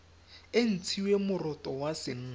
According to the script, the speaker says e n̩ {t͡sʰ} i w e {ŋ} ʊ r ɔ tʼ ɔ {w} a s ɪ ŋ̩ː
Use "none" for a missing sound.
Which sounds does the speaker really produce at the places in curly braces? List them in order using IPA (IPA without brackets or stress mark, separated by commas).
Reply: t͡sʰ, m, w